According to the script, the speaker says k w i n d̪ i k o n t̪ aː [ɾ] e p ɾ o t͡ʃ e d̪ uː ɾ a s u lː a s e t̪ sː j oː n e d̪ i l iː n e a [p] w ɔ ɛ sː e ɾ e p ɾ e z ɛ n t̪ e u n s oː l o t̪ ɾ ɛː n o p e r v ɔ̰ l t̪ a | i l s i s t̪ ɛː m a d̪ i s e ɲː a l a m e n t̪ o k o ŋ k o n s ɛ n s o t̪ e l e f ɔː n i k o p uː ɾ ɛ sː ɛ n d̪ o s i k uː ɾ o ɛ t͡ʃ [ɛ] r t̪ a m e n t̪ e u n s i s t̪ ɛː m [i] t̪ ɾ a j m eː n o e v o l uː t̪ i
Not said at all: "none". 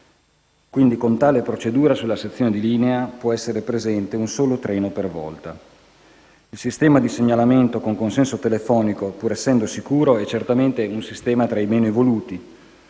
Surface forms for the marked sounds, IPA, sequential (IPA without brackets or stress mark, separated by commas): l, p, e, a